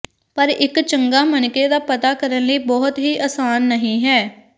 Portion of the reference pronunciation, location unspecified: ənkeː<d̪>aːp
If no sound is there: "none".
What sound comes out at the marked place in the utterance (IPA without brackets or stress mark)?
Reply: d̪